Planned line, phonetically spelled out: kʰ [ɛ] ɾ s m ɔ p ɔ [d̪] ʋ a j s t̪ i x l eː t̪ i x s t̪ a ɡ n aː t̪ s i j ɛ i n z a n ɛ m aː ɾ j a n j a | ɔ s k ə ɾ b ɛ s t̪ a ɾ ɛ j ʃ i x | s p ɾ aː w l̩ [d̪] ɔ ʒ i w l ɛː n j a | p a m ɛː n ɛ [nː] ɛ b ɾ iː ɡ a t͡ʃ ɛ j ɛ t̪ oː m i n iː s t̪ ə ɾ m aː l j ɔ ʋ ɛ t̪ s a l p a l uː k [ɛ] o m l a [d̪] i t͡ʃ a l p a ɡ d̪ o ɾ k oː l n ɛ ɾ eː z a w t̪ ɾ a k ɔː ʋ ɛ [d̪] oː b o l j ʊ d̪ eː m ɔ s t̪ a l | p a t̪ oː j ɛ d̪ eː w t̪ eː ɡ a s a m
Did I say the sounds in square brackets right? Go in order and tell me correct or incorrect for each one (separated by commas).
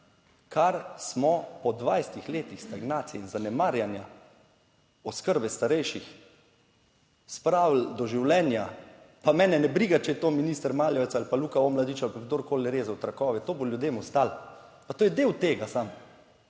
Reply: incorrect, correct, correct, incorrect, incorrect, correct, incorrect